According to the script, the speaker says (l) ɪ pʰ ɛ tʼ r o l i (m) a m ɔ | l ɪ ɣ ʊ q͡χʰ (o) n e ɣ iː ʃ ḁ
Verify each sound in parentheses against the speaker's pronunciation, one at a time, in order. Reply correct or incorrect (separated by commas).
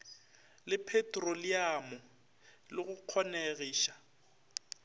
correct, incorrect, incorrect